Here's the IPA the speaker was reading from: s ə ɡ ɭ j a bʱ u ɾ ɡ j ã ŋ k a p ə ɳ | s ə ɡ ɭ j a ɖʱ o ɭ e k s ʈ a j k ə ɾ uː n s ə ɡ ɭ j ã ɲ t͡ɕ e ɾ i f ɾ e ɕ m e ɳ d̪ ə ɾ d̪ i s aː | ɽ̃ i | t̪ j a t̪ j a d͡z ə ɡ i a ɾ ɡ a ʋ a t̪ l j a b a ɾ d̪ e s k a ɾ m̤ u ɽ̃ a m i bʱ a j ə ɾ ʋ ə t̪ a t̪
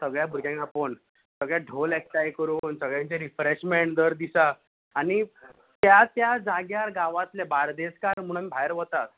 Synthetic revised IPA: s ə ɡ ɭ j a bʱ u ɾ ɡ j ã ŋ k a p ə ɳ | s ə ɡ ɭ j a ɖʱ o l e k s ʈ a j k ə ɾ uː n s ə ɡ ɭ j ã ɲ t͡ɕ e ɾ i f ɾ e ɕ m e ɳ d̪ ə ɾ d̪ i s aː | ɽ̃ i | t̪ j a t̪ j a d͡z a ɡ j a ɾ ɡ a ʋ a t̪ l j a b a ɾ d̪ e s k a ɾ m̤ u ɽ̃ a m i bʱ a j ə ɾ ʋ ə t̪ a t̪